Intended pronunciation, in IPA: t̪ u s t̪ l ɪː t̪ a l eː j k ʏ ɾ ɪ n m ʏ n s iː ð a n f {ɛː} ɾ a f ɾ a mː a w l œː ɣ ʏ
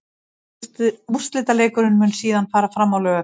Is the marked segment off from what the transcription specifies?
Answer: yes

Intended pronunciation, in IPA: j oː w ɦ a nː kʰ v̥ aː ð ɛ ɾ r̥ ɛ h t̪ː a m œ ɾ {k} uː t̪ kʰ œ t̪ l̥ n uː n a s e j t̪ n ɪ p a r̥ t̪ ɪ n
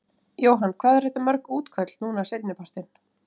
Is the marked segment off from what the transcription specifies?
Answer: no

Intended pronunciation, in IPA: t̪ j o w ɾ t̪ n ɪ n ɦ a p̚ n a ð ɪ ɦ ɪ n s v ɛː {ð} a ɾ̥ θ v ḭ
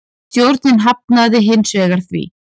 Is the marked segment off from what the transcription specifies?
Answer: yes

